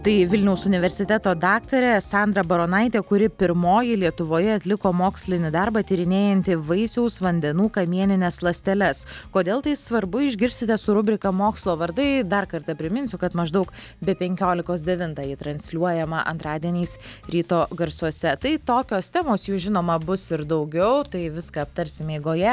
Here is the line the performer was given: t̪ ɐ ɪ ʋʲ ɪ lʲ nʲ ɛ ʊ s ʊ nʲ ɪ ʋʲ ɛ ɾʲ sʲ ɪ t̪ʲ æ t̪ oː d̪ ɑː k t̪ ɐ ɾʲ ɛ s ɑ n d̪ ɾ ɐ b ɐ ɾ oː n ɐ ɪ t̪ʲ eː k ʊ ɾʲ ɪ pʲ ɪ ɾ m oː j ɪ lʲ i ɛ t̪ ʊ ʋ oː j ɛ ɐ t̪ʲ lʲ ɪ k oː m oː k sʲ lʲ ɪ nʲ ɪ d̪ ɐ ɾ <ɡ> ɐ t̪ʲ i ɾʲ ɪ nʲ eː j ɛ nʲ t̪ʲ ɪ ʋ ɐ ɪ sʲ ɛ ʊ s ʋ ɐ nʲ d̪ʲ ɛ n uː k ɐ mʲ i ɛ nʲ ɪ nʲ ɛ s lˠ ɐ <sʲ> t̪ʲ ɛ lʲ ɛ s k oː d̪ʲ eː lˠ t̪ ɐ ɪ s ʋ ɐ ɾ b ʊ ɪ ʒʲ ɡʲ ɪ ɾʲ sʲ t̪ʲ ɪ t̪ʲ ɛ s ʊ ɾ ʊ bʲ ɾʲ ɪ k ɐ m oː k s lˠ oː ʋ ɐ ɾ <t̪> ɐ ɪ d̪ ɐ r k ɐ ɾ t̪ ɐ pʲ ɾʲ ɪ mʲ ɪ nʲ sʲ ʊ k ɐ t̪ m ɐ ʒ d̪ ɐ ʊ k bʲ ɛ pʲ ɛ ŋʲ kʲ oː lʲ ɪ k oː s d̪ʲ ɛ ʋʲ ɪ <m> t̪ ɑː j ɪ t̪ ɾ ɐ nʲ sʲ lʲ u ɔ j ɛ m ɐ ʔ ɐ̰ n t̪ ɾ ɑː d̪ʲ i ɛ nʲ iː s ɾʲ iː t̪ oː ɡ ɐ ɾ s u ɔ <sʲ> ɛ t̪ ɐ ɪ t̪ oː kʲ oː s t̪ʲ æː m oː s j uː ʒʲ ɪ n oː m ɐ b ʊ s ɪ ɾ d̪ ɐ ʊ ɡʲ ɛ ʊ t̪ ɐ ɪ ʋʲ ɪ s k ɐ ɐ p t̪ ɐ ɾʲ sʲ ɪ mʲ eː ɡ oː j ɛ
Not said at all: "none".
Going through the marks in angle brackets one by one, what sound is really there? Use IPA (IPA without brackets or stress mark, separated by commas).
b, sʲ, d̪, n, sʲ